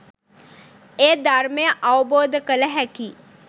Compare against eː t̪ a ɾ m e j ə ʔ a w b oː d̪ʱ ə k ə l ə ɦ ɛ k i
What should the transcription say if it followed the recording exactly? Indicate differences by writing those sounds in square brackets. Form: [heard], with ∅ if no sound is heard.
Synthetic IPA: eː [d̪] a ɾ m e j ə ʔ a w b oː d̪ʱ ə k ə l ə ɦ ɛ k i